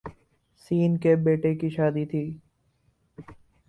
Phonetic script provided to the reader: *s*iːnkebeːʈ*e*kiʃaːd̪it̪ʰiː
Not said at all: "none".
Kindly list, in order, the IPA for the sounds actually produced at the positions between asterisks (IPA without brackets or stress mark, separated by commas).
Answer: s, e